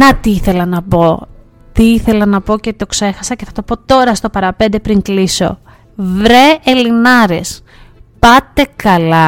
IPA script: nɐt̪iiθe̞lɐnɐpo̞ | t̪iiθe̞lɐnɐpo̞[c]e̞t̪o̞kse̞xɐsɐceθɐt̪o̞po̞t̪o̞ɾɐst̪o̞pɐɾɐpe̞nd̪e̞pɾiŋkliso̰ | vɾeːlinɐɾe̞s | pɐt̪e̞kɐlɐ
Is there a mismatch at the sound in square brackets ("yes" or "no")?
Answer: no